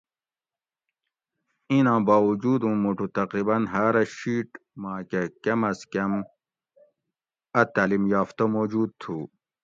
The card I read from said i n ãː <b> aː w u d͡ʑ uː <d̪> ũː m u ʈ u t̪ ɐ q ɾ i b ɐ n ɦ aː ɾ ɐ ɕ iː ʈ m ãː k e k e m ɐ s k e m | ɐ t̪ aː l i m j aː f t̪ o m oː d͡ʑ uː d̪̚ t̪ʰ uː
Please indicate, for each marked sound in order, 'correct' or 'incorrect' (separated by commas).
correct, correct